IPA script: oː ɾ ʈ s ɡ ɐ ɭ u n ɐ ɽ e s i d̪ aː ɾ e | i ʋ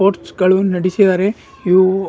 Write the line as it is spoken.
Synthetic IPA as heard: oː ɾ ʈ s ɡ ɐ ɭ u n ɐ ɽ i s i d̪ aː ɾ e | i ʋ

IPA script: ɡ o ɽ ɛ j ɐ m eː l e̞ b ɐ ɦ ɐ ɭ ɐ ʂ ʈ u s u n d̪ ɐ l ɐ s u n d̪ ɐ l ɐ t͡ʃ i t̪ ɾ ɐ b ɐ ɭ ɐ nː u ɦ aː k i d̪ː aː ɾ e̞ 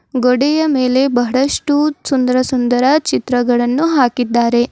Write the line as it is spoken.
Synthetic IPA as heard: ɡ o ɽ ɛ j ɐ m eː l e̞ b ɐ ɦ ɐ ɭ ɐ ʂ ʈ u s u n d̪ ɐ ɾ ɐ s u n d̪ ɐ ɾ ɐ t͡ʃ i t̪ ɾ ɐ ɡ ɐ ɭ ɐ nː u ɦ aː k i d̪ː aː ɾ e̞

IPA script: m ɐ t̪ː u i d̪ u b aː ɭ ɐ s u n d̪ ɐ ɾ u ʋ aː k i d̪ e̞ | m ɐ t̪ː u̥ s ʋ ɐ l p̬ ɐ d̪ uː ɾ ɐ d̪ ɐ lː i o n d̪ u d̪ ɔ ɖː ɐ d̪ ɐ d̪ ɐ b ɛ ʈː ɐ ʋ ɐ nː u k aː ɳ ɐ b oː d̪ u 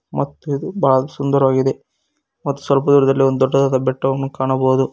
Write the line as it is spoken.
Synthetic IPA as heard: m ɐ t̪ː u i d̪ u b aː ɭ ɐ s u n d̪ ɐ ɾ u ʋ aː ɡ i d̪ e̞ | m ɐ t̪ː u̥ s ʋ ɐ l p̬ ɐ d̪ uː ɾ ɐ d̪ ɐ lː i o n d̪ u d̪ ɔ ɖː ɐ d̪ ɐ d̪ ɐ b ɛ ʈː ɐ ʋ ɐ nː u k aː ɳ ɐ b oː d̪ u

